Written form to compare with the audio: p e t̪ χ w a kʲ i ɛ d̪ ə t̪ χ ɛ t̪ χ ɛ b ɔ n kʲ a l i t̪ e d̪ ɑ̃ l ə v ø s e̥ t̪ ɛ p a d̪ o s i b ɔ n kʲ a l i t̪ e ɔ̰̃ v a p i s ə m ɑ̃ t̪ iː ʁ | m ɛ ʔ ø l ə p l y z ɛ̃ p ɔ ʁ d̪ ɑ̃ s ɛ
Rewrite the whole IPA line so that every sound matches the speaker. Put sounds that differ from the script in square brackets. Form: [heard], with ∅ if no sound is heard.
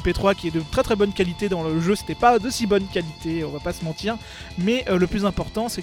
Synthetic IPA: p e t̪ χ w a kʲ i ɛ d̪ ə t̪ χ ɛ t̪ χ ɛ b ɔ n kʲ a l i t̪ e d̪ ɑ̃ l ə [ʒ] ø s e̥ t̪ ɛ p a d̪ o s i b ɔ n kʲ a l i t̪ e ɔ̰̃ v a p [a] s ə m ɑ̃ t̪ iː ʁ | m ɛ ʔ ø l ə p l y z ɛ̃ p ɔ ʁ [t̪] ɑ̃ s ɛ